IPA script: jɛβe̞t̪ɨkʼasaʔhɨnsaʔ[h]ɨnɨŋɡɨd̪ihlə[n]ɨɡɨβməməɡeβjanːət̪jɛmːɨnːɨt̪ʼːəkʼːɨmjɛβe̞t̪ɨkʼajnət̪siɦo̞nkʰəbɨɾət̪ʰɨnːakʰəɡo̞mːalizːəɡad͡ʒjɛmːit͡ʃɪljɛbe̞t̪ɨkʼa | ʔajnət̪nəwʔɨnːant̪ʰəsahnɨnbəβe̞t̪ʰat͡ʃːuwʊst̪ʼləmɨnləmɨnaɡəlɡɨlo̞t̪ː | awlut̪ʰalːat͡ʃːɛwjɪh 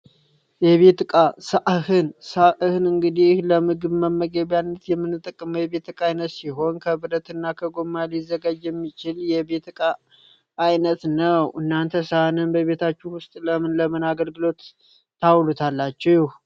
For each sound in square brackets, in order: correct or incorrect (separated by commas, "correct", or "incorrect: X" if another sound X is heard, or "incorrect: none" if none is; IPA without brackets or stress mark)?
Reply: correct, incorrect: m